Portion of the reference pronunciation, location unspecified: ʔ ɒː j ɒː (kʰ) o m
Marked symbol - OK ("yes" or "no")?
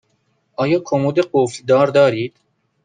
yes